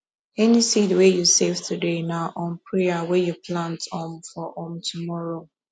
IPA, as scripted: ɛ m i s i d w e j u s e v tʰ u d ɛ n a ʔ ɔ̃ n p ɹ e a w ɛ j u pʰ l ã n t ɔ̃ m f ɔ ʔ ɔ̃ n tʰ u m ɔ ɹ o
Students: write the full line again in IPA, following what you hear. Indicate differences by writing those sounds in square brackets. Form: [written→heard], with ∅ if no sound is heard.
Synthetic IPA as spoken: ɛ [m→n] i s i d w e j u s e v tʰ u d [ɛ→e] n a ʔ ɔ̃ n p ɹ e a w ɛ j u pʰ l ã n t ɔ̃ m f ɔ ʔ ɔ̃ [n→m] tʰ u m ɔ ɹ o